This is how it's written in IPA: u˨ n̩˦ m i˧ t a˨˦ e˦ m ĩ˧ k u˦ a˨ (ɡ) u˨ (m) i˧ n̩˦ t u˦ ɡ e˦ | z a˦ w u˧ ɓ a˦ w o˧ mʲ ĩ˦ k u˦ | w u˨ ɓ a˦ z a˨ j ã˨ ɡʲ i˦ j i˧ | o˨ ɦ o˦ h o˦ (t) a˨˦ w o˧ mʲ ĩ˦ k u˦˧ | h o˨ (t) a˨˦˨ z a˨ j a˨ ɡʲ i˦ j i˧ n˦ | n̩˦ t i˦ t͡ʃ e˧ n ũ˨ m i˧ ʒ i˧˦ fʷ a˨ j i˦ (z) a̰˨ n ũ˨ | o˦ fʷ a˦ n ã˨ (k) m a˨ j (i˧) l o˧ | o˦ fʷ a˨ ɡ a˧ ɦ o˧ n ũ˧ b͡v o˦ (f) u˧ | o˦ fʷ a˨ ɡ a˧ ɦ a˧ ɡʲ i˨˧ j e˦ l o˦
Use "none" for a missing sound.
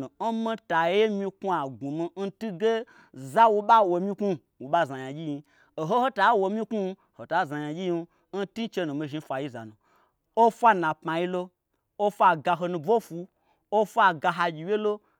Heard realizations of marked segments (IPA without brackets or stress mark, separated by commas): ɡ, m, t, t, z, p, i˧, f